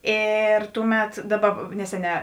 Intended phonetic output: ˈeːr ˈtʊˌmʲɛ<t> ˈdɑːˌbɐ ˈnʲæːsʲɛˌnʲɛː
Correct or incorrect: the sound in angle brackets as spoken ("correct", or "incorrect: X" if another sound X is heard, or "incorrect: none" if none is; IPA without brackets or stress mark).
correct